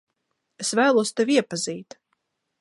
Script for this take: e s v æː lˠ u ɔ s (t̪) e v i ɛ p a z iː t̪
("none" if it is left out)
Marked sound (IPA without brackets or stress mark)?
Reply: t̪